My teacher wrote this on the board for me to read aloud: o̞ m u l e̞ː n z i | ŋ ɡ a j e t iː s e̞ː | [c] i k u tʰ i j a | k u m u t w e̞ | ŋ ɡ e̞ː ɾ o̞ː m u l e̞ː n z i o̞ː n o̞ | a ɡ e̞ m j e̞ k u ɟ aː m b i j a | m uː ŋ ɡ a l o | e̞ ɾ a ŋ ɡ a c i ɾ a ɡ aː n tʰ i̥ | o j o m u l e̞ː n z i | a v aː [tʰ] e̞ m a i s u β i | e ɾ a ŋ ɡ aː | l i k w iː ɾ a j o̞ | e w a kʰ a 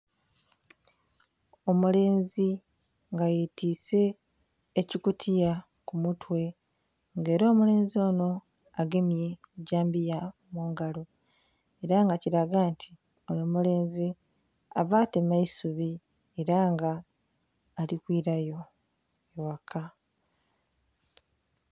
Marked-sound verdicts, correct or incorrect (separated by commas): correct, incorrect